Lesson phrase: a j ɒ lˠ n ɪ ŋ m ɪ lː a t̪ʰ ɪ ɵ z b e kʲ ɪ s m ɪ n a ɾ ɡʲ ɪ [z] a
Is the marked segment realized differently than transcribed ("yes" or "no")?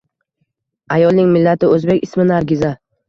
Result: no